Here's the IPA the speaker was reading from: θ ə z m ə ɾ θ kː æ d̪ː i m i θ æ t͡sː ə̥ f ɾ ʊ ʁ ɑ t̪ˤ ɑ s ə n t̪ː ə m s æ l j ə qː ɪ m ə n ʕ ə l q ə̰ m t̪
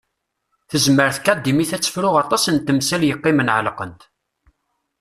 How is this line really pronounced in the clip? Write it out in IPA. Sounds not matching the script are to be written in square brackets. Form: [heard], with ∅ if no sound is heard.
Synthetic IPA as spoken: θ ə z m ə ɾ θ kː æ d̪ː i m i θ æ t͡sː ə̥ f ɾ ʊ ʁ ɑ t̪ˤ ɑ s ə n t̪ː ə m s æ l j ə qː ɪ m ə n ʕ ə l q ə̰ [n] t̪

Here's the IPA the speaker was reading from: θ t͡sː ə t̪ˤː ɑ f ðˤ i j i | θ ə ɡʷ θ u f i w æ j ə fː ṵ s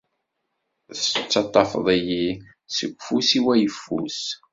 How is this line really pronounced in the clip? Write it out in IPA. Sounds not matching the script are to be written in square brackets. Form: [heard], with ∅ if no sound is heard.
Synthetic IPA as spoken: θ t͡sː [ɑ] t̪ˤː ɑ f ðˤ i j i | [s] ə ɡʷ [f] u [s] i w æ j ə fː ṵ s

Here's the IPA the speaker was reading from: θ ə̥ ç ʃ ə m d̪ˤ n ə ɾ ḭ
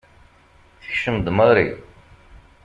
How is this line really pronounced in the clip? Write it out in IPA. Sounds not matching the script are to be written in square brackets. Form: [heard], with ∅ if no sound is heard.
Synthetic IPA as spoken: θ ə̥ ç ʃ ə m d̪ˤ [m] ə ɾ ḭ

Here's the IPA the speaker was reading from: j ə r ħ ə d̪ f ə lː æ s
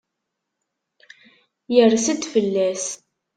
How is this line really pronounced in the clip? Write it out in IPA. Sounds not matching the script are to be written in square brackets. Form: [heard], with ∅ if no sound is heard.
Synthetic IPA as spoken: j ə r [s] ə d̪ f ə lː æ s

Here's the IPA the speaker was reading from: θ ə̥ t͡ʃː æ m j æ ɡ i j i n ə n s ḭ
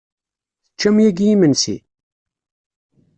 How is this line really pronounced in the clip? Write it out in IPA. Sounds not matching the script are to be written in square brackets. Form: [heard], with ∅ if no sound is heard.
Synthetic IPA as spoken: θ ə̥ t͡ʃː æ m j æ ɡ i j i [m] ə n s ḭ

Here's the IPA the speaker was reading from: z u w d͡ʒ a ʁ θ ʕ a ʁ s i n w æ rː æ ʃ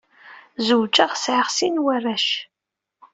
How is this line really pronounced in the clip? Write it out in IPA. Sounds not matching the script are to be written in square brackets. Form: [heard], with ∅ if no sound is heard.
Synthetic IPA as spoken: z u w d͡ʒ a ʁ [s] ʕ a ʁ s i n w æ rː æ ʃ

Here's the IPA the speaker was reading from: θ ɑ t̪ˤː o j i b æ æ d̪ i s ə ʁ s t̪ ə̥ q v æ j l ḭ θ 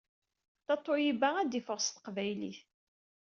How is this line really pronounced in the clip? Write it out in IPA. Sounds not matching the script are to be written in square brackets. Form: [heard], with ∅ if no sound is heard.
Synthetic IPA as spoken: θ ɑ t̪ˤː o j i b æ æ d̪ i [f] ə ʁ s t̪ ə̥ q v æ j l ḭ θ

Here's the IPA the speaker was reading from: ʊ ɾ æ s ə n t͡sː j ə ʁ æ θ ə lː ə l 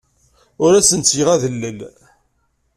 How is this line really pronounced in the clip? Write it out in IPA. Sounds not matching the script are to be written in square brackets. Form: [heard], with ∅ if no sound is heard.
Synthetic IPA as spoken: ʊ ɾ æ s ə n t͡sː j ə ʁ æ [ð] ə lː ə l

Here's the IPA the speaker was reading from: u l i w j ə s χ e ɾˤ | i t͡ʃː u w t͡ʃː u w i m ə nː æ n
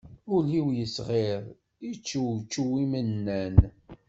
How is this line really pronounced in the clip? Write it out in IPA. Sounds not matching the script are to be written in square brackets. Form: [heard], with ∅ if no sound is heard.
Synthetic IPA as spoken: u l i w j ə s [ʁ] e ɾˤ | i t͡ʃː u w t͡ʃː u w i m ə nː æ n

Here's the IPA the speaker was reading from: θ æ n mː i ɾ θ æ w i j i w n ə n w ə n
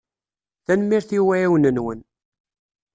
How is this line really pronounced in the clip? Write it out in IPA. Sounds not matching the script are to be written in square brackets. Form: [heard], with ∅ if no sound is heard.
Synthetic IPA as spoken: θ æ n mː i ɾ θ [i] w [æ] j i w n ə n w ə n

